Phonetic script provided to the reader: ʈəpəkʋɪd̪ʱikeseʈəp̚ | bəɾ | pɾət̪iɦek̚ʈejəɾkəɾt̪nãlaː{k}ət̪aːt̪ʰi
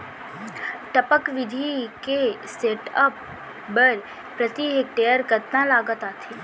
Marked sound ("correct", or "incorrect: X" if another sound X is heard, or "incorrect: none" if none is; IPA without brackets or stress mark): incorrect: ɡ